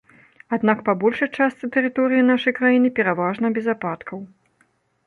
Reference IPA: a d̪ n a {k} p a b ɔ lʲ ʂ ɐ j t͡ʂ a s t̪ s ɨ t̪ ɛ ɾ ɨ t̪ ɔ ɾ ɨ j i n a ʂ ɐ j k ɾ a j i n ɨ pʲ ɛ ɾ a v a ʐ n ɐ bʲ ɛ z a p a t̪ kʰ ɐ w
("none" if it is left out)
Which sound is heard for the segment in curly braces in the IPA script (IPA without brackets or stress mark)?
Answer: k